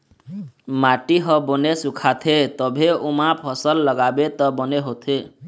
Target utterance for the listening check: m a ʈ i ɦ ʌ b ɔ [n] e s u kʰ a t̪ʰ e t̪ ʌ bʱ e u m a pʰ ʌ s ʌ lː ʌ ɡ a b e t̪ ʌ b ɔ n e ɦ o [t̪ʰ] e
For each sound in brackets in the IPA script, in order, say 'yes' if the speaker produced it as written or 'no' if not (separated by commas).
yes, yes